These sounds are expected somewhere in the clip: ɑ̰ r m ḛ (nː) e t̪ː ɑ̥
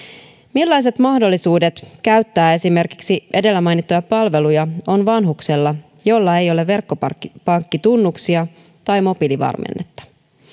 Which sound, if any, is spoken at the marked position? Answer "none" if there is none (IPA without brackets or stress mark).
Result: nː